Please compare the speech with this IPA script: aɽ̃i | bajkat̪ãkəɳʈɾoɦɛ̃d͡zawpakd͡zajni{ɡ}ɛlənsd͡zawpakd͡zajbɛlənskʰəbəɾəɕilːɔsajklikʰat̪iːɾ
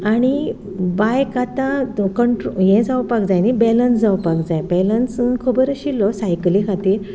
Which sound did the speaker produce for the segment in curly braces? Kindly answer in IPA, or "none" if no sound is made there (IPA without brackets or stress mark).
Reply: b